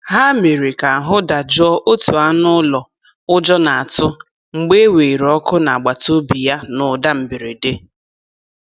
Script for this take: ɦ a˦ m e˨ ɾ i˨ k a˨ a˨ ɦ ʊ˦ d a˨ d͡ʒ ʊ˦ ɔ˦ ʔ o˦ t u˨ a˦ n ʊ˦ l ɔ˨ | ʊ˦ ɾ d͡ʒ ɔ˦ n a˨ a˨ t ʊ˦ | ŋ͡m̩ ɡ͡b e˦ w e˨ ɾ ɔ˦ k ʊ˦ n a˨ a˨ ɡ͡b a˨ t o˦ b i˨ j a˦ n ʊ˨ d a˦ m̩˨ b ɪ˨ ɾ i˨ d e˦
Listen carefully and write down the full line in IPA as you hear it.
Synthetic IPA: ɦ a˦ m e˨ ɾ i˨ k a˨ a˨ ɦ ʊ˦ d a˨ d͡ʒ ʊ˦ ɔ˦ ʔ o˦ t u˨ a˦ n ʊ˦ l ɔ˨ | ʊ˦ d͡ʒ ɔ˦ n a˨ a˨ t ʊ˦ | ŋ͡m̩ ɡ͡b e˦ w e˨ ɾ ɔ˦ k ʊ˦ n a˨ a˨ ɡ͡b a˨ t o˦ b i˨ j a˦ n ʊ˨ d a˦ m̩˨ b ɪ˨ ɾ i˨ d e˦